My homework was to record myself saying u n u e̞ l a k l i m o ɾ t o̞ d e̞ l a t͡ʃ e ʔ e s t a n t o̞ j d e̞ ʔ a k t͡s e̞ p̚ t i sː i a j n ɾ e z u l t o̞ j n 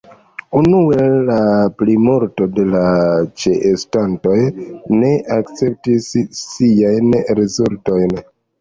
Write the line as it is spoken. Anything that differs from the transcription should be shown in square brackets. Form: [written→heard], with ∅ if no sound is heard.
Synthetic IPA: u n u e̞ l a [k→p] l i m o ɾ t o̞ d e̞ l a t͡ʃ e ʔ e s t a n t o̞ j [d→n] e̞ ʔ a k t͡s e̞ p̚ t i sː i a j n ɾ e z u l t o̞ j n